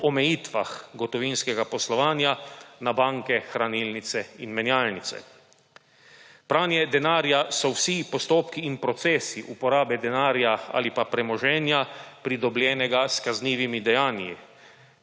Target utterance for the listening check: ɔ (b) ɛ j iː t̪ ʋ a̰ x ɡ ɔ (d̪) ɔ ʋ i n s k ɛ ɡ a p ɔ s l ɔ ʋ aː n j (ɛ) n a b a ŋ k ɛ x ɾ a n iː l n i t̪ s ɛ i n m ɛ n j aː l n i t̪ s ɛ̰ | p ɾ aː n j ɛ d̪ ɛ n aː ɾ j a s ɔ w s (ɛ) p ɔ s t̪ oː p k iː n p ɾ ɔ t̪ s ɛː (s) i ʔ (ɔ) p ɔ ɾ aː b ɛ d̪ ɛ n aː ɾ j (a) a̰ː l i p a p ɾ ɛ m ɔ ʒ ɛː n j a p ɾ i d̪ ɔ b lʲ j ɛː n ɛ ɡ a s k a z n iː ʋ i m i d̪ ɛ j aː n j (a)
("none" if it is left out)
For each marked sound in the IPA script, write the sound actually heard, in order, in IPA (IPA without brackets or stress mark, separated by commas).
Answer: m, t̪, a, i, s, u, a, i